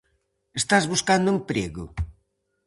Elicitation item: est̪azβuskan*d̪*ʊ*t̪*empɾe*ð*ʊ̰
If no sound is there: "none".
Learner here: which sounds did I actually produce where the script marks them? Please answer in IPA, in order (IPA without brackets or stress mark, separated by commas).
d̪, none, ɣ